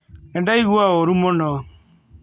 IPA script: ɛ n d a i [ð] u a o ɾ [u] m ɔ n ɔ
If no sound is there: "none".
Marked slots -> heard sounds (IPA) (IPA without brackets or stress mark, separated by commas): ɣ, u